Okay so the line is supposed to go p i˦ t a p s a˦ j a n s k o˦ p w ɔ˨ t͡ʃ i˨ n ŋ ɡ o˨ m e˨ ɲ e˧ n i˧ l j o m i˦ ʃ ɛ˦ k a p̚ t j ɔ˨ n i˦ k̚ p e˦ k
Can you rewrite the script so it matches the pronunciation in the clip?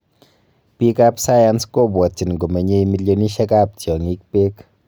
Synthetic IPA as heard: p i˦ k a p s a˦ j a n s k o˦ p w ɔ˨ t͡ʃ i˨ n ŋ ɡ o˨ m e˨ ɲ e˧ m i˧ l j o n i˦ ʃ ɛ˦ k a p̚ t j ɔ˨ ŋ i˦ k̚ p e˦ k